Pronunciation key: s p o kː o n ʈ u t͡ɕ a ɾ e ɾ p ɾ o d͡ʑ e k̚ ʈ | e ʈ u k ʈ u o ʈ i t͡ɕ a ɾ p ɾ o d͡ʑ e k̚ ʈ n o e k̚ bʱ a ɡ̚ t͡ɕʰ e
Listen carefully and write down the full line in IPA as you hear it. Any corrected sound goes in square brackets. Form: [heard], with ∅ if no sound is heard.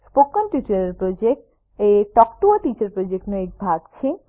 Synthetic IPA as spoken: s p o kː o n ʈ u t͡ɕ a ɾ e ɾ p ɾ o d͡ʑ e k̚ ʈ | e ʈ [ɔ] k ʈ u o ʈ i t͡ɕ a ɾ p ɾ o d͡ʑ e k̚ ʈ n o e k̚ bʱ a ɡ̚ t͡ɕʰ e